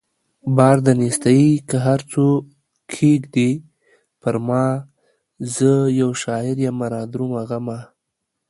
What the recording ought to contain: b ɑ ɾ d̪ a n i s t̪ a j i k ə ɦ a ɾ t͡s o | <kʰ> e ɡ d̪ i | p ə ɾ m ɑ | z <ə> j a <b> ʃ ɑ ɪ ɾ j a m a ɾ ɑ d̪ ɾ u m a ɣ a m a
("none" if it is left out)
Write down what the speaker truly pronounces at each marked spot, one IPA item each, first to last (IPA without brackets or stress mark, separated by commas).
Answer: kʰ, ə, w